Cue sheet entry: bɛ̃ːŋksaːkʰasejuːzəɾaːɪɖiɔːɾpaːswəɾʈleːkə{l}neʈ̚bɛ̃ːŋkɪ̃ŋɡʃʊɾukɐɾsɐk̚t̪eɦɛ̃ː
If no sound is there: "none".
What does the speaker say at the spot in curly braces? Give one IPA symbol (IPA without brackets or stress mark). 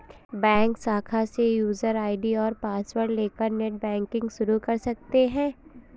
ɾ